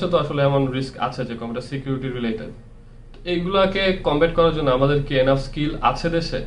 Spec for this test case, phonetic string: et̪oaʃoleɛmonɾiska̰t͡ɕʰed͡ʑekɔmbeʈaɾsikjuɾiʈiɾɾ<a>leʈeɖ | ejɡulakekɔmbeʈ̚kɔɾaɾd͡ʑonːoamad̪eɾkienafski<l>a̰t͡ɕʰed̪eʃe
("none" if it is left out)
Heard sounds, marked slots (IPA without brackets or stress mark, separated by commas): i, l